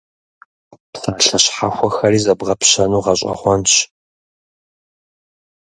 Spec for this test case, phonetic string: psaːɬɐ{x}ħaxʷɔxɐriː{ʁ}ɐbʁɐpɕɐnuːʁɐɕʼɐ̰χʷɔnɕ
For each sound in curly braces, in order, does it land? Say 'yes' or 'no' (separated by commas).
no, no